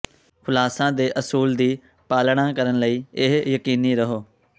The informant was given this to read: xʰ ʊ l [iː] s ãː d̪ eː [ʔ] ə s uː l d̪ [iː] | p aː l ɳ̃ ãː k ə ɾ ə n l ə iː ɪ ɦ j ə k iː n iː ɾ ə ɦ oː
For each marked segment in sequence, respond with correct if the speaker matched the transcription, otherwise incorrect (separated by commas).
incorrect, correct, correct